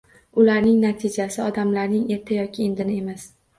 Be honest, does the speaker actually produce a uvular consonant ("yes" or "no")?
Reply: no